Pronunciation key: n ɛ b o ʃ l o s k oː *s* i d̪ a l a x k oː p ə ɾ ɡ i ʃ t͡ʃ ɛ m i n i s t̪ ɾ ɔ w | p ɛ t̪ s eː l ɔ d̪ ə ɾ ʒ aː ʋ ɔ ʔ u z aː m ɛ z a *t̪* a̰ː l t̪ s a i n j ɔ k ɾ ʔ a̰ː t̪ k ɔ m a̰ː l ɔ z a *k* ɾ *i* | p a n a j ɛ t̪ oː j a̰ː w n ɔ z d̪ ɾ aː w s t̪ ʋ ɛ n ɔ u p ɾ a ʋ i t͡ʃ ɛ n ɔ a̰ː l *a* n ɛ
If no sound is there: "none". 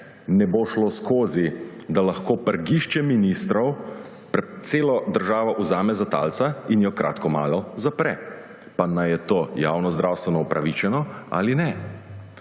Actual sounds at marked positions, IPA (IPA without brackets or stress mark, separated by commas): z, t̪, p, ɛ, i